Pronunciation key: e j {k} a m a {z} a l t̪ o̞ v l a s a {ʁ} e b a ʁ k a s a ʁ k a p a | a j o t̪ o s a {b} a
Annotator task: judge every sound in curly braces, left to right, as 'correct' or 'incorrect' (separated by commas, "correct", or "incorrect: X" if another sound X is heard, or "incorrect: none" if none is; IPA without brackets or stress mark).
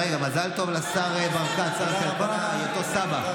incorrect: ɡ, correct, correct, correct